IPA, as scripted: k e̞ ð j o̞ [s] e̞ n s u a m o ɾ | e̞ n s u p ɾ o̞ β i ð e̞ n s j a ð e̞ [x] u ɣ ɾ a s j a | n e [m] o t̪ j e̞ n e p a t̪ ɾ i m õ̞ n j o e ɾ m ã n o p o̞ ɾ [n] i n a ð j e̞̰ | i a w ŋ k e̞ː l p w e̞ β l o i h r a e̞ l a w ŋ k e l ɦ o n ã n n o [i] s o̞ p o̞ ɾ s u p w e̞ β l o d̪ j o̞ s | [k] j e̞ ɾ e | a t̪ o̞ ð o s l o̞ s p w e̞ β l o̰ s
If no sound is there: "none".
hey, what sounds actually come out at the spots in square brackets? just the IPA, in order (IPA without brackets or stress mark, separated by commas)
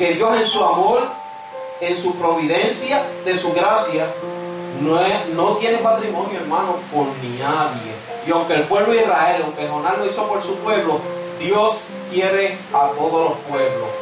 s, s, n, n, i, k